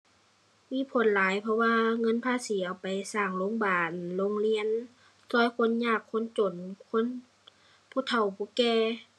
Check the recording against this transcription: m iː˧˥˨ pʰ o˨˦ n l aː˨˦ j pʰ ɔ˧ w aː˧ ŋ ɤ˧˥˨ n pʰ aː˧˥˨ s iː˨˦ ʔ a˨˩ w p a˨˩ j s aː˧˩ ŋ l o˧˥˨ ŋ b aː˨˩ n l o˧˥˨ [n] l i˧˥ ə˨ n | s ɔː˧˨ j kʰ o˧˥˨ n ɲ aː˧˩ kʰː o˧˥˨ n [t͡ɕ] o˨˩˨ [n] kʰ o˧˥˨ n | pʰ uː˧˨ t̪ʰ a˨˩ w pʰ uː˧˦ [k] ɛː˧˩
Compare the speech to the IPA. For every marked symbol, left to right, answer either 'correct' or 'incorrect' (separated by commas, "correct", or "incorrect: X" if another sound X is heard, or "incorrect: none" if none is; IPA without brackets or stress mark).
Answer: incorrect: ŋ, correct, correct, correct